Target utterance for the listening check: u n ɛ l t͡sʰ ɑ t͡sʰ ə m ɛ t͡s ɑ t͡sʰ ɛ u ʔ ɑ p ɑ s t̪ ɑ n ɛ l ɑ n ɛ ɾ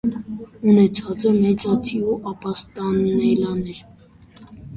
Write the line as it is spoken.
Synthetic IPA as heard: u n ɛ t͡sʰ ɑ t͡s ə m ɛ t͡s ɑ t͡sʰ i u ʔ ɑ p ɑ s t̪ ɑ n ɛ l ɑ n ɛ ɾ